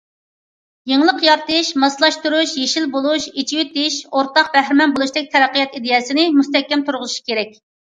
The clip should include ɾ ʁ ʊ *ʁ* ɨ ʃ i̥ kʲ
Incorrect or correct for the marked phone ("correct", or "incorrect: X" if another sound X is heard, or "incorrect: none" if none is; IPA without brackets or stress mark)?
incorrect: z